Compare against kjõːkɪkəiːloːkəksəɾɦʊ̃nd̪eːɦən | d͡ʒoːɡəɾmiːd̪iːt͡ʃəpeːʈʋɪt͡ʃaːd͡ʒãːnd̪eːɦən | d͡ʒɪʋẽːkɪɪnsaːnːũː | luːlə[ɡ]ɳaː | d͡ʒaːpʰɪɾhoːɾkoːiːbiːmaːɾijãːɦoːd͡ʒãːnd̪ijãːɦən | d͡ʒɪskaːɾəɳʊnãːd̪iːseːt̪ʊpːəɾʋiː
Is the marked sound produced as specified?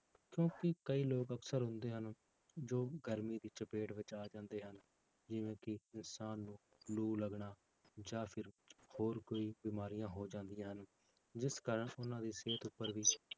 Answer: yes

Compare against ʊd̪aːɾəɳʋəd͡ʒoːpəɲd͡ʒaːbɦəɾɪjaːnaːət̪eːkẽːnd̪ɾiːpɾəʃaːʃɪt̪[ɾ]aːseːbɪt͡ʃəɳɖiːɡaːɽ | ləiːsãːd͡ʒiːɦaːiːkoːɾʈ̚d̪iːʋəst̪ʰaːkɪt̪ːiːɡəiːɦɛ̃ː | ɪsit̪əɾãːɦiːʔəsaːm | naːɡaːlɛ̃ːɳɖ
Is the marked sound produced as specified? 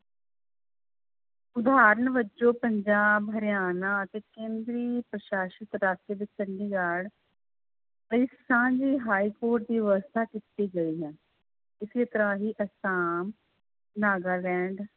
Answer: yes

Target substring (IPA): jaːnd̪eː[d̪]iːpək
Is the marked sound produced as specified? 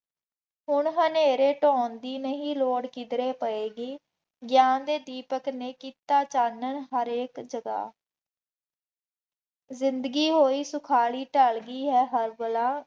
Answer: yes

